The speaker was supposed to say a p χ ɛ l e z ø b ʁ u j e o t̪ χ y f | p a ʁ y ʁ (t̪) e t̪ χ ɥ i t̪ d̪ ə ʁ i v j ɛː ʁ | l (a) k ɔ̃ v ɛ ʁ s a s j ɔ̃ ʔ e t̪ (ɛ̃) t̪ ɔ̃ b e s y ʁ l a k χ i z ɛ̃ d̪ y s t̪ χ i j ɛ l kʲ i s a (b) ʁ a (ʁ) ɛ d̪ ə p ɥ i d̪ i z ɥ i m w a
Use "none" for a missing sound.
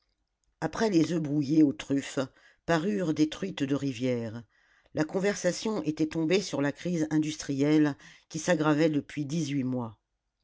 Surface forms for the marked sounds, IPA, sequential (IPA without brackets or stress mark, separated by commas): d̪, a, ɛ, ɡ, v